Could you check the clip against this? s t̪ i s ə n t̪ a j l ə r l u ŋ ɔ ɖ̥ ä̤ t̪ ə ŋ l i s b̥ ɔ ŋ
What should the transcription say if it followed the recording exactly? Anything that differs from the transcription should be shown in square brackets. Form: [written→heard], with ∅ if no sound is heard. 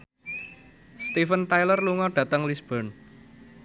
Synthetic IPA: s t̪ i [s→f] ə n t̪ a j l ə r l u ŋ ɔ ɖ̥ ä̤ t̪ ə ŋ l i s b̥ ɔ [ŋ→n]